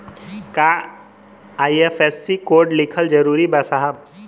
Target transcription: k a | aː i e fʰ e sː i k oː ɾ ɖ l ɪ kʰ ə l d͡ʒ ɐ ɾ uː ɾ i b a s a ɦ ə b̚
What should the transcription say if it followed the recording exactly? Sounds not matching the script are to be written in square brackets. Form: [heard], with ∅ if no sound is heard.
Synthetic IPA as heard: k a | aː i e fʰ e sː i k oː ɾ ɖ l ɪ kʰ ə l d͡ʒ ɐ ɾ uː ɾ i b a s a ɦ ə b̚